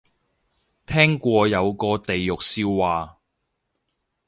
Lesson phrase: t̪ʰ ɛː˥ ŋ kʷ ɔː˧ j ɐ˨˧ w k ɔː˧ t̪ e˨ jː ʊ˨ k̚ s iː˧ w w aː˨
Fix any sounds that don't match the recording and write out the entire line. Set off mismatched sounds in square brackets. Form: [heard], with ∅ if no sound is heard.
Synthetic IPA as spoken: t̪ʰ ɛː˥ ŋ kʷ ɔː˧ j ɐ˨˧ w k ɔː˧ t̪ e˨ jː ʊ˨ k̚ s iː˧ w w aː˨